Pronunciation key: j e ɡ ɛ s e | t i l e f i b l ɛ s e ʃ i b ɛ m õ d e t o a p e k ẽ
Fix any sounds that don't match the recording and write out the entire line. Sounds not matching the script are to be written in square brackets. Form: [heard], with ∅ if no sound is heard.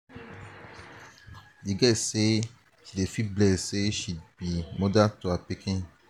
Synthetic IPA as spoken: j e ɡ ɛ s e | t i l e f i b l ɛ s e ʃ i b [i] m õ d [a] t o a p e k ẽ